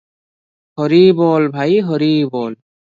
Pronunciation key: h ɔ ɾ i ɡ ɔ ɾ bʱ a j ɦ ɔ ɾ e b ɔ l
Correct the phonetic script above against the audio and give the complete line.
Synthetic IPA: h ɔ ɾ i b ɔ l bʱ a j ɦ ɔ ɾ i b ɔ l